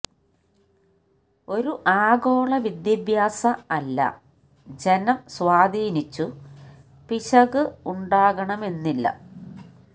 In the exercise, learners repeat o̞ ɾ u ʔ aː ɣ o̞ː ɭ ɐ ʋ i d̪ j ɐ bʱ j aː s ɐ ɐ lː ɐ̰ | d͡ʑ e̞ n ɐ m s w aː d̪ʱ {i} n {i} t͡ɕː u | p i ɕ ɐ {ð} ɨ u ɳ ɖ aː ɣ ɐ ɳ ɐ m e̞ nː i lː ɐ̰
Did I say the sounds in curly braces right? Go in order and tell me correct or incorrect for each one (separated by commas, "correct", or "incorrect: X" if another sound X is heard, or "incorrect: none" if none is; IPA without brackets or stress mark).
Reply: incorrect: iː, correct, incorrect: ɣ